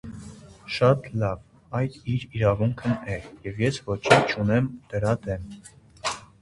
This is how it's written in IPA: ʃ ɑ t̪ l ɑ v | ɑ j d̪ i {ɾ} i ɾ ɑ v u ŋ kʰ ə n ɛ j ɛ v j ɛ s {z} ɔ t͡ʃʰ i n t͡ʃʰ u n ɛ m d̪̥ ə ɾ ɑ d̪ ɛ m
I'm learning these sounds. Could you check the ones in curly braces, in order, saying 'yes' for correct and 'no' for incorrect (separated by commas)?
yes, no